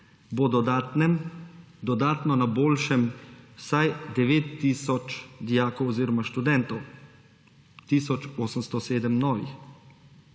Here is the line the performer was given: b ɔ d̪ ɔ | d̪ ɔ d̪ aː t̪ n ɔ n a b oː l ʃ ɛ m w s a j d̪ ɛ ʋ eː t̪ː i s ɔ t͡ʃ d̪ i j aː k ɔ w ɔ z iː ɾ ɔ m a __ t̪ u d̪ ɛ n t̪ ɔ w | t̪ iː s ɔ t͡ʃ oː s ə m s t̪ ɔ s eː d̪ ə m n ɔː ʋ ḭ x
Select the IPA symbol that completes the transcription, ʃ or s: ʃ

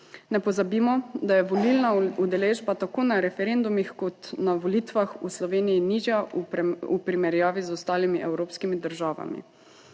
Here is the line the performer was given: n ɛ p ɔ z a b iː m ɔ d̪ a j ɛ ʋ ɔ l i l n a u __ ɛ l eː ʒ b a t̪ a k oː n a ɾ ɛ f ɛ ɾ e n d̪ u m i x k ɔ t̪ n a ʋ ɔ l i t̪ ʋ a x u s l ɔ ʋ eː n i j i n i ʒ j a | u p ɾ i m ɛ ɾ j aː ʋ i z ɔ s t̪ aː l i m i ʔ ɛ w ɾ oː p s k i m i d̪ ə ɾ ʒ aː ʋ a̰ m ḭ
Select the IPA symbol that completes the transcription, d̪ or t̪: d̪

